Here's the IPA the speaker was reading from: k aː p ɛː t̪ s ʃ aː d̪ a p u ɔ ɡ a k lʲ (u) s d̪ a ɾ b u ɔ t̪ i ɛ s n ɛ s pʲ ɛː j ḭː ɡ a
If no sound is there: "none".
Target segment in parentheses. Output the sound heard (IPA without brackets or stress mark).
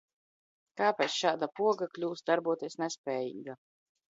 uː